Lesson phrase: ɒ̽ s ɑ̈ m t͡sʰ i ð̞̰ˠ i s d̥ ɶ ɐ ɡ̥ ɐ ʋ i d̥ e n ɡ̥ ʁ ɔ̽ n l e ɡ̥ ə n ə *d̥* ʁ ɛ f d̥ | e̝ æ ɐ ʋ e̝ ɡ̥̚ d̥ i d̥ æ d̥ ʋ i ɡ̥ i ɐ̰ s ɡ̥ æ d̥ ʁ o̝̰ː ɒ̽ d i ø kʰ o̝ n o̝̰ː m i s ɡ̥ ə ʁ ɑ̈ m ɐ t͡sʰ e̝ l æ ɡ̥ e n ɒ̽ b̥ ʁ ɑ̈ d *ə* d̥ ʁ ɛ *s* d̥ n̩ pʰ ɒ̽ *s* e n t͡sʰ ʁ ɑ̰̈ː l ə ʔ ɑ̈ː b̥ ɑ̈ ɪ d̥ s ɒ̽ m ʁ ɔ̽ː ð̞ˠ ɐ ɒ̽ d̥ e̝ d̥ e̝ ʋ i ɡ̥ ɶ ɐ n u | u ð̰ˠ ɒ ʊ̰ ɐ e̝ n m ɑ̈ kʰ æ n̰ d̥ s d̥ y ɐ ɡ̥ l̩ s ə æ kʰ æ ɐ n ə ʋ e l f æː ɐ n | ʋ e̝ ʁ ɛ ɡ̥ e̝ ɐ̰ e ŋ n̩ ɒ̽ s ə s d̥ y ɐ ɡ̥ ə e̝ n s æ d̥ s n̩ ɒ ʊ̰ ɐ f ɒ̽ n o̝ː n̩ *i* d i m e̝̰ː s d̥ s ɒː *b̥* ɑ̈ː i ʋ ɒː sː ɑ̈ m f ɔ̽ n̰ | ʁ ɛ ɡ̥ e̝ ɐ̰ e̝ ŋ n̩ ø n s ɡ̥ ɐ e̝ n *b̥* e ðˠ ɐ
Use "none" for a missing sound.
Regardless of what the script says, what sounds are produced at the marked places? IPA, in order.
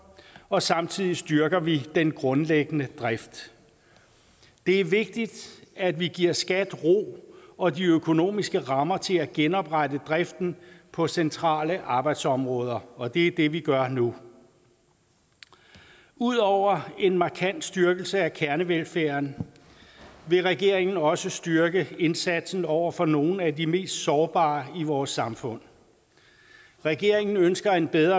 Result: d̥, ə, f, s, æ, b̥, b̥

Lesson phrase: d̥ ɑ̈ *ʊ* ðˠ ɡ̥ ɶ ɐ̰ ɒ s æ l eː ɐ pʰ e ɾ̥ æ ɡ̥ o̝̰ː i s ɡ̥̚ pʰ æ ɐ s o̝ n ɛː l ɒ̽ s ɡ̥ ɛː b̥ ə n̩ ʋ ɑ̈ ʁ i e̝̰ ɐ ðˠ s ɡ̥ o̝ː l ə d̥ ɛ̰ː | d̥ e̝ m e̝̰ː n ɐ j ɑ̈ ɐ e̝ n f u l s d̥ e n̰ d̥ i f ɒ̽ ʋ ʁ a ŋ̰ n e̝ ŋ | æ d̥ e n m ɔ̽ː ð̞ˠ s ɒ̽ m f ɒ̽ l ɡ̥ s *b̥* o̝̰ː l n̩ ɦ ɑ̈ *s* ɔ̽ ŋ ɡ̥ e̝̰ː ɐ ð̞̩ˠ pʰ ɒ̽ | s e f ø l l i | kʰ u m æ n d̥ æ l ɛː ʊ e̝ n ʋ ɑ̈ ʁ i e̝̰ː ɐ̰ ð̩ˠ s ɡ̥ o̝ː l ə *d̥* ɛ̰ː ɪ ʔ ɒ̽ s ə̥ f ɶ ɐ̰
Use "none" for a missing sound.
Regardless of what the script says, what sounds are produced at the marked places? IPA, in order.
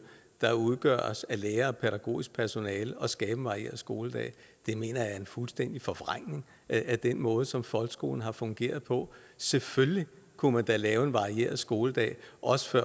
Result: u, ɡ̥, f, d̥

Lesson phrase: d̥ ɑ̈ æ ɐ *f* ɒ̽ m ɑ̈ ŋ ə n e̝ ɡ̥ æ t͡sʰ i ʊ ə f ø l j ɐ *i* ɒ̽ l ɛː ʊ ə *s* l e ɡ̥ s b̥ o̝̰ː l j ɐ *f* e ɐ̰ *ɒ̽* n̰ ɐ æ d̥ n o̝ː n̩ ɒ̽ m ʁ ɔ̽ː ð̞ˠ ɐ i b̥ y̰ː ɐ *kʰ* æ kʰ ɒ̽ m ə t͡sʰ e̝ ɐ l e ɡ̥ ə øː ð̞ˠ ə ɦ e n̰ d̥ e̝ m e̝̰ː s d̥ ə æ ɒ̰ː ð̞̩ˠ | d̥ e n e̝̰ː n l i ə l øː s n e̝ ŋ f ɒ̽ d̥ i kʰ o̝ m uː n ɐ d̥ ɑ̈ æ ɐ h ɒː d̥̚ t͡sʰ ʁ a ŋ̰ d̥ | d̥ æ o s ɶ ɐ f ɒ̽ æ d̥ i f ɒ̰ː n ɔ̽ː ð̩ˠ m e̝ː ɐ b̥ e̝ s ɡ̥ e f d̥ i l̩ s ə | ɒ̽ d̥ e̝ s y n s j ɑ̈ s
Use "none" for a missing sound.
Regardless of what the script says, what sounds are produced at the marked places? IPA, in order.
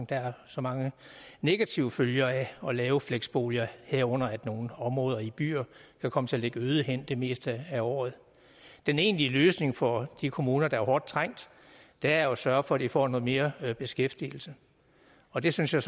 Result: s, æ, f, h, ɔ̽, kʰ

